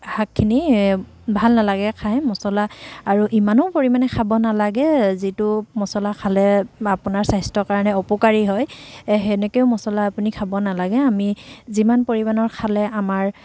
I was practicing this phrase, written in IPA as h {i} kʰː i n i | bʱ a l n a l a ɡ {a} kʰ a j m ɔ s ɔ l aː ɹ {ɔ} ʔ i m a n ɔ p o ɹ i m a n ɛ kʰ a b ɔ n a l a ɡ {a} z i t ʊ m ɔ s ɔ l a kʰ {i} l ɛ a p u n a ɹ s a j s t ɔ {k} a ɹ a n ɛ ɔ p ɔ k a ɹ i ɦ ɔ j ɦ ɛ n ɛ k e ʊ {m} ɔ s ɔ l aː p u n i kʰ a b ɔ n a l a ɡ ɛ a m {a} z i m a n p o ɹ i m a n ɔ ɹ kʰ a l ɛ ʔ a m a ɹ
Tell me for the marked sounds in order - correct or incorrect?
incorrect, incorrect, incorrect, incorrect, incorrect, correct, correct, incorrect

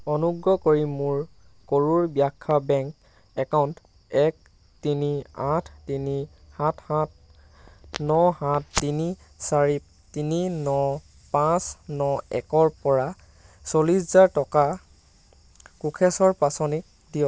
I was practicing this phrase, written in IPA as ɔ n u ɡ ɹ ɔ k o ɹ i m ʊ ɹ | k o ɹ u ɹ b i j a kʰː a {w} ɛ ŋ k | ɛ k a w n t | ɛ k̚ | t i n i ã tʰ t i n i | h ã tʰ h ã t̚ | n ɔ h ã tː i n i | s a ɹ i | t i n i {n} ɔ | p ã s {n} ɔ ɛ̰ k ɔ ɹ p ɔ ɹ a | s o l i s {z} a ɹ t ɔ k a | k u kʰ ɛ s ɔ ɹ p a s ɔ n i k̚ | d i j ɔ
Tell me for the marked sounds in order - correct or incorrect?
incorrect, correct, correct, correct

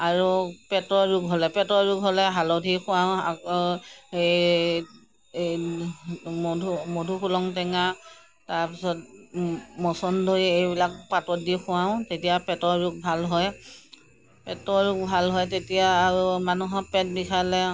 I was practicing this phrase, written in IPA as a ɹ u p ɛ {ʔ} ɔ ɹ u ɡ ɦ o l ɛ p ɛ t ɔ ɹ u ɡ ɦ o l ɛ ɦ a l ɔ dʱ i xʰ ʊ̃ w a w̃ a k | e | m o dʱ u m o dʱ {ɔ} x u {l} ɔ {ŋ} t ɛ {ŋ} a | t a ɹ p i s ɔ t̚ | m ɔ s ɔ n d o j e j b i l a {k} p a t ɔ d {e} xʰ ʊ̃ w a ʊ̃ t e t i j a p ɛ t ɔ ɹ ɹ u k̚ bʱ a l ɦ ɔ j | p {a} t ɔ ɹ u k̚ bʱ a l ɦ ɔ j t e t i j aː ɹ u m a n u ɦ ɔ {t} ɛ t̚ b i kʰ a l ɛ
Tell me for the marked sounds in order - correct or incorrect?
incorrect, incorrect, correct, correct, correct, correct, incorrect, incorrect, incorrect

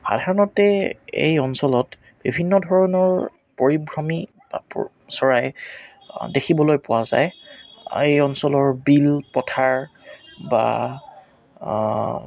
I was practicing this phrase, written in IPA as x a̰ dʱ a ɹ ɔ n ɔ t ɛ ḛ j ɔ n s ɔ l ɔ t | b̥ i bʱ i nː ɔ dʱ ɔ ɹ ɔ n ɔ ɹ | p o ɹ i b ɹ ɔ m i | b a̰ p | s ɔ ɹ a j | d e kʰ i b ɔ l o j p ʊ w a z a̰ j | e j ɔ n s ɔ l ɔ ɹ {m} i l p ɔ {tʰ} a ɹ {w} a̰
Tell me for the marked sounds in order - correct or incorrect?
incorrect, correct, incorrect

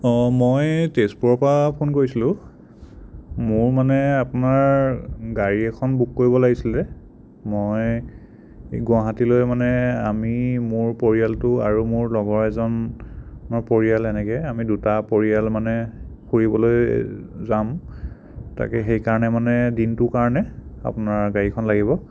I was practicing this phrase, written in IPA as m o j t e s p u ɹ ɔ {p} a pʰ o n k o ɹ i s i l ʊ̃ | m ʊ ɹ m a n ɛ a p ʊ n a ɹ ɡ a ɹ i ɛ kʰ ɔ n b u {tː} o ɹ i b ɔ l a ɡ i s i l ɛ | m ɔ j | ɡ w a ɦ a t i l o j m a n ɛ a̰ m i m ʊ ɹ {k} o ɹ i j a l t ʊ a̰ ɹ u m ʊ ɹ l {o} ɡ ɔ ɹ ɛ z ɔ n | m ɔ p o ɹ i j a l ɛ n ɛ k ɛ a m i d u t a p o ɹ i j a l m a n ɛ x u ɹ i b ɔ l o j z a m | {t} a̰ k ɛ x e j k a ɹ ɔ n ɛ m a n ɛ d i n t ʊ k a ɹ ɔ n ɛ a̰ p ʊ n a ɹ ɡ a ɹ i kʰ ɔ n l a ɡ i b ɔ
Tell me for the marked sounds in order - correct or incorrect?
correct, incorrect, incorrect, incorrect, correct

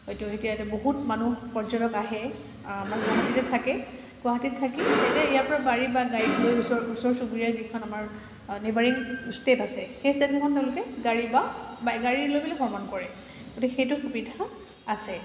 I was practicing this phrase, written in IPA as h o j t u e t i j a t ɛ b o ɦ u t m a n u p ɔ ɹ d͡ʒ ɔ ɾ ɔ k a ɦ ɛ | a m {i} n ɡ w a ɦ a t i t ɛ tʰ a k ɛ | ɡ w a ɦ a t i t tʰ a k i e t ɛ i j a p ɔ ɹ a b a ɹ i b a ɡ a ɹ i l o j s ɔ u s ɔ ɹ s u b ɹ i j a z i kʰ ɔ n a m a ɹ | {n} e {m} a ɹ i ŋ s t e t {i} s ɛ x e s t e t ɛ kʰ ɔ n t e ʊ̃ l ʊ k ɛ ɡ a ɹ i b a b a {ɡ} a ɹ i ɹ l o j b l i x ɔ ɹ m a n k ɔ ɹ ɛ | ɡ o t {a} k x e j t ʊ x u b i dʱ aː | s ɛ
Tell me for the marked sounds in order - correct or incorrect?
incorrect, correct, incorrect, incorrect, correct, incorrect

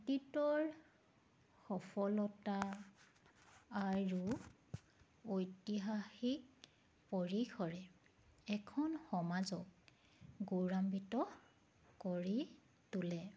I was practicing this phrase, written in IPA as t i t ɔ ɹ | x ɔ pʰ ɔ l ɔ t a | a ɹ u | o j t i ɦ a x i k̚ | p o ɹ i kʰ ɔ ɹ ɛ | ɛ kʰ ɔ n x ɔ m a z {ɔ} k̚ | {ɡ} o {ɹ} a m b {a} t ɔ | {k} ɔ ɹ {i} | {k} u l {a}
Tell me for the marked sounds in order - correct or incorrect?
correct, correct, correct, incorrect, correct, correct, incorrect, incorrect

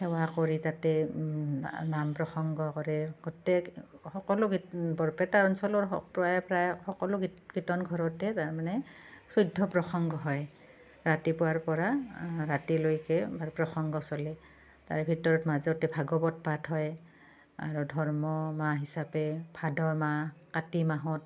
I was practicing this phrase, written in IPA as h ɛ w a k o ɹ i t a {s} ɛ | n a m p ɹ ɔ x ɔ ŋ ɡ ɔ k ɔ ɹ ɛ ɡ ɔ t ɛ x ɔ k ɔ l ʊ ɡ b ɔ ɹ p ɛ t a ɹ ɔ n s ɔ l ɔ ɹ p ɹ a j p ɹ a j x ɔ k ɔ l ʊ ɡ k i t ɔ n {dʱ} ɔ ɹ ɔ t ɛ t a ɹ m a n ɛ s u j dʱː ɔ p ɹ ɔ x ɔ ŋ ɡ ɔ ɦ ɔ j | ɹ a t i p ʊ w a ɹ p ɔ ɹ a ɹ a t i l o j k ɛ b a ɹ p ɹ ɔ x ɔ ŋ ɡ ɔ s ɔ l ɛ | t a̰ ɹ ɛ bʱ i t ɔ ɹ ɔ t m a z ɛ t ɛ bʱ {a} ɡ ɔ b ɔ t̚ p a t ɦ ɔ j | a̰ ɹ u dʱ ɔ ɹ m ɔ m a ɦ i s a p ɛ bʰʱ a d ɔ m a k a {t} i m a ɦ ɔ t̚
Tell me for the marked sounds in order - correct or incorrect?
incorrect, incorrect, correct, correct

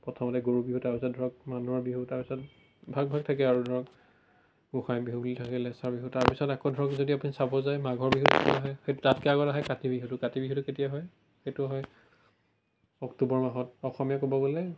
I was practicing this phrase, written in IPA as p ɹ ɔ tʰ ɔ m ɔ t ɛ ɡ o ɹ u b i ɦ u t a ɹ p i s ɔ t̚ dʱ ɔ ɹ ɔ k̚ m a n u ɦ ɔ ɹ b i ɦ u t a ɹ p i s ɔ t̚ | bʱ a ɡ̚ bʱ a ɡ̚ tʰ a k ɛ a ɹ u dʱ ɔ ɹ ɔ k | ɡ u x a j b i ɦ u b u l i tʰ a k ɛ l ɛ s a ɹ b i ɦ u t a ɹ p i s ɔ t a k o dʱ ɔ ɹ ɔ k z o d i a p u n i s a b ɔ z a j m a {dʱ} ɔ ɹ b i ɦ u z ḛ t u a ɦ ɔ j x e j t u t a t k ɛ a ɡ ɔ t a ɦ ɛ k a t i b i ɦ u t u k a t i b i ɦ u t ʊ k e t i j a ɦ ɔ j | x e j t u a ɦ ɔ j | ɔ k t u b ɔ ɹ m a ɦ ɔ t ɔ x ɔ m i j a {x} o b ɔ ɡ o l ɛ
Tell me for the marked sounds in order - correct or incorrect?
incorrect, incorrect

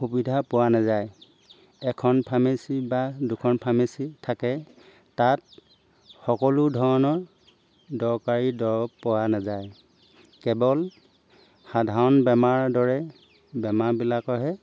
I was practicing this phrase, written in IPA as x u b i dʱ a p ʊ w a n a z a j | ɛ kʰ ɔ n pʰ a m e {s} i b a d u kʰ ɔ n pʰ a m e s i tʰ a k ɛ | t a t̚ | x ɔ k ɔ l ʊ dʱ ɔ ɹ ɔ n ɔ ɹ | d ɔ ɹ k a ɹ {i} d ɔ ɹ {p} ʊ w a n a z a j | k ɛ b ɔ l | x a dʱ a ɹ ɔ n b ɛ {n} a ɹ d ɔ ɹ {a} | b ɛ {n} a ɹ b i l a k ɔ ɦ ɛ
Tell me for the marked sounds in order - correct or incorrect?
correct, correct, correct, incorrect, incorrect, incorrect

